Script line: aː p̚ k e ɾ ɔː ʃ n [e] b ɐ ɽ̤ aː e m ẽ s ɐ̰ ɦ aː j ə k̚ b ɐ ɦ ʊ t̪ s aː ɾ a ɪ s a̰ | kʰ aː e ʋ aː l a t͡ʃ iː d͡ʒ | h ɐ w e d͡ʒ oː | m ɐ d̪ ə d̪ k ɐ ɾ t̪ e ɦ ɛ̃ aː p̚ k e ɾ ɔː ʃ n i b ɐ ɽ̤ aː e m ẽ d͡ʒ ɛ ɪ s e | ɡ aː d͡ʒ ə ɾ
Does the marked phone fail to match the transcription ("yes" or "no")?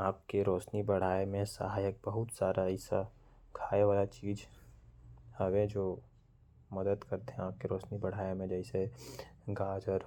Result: yes